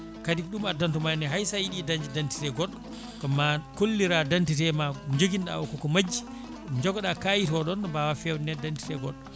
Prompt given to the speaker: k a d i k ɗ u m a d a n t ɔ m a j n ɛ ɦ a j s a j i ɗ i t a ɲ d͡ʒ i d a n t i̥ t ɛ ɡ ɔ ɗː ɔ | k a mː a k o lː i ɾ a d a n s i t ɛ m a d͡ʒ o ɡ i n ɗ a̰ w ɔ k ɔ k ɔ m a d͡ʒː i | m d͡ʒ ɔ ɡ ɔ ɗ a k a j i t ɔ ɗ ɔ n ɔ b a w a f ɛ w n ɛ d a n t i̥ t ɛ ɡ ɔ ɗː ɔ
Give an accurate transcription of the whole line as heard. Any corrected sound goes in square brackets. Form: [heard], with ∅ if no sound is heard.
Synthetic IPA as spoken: k a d i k ɗ u m a d a n t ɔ m a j n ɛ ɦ a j s a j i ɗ i [d] a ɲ d͡ʒ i d a n t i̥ t ɛ ɡ ɔ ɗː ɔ | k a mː a k o lː i ɾ a d a n [t] i t ɛ m a d͡ʒ o ɡ i n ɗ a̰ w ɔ k ɔ k ɔ m a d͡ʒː i | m d͡ʒ ɔ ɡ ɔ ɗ a k a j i t ɔ ɗ ɔ n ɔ b a w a f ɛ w n ɛ d a n t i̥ t ɛ ɡ ɔ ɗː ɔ